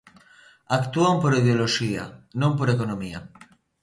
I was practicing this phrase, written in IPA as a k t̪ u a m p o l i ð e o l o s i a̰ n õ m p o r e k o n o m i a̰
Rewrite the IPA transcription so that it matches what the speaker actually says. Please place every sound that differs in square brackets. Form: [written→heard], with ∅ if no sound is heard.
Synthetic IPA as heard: a k t̪ u a m p o [l→ɾ] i ð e o l o [s→ʃ] i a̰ n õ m p o [r→ɾ] e k o n o m i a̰